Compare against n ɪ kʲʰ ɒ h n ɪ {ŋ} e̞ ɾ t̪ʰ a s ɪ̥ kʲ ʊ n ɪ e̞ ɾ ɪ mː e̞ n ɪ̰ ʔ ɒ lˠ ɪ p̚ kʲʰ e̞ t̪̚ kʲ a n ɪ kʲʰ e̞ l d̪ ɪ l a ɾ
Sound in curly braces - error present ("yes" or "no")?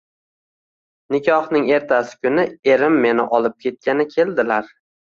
no